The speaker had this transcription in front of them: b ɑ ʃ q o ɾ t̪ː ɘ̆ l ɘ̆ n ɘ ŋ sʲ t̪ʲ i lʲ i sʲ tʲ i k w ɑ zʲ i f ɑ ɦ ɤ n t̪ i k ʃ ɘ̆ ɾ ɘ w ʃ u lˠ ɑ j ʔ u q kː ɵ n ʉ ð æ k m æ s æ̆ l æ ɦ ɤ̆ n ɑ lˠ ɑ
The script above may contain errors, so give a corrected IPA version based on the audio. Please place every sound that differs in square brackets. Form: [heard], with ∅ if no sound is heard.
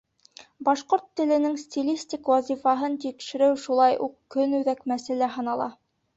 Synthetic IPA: b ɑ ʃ q o ɾ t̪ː ɘ̆ l ɘ̆ n ɘ ŋ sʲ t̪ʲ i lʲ i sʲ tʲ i k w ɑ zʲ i f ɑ ɦ ɤ n t̪ i k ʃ ɘ̆ ɾ ɘ w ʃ u lˠ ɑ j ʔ u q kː ɵ n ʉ ð æ k m æ s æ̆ l æ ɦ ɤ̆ n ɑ lˠ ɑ